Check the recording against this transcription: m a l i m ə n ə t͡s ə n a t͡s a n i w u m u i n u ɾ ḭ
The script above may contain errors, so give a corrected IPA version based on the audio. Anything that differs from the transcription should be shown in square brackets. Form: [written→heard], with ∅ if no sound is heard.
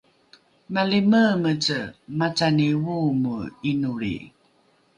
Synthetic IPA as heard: m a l i m ə [n→m] ə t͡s ə [n→m] a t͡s a n i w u m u i n u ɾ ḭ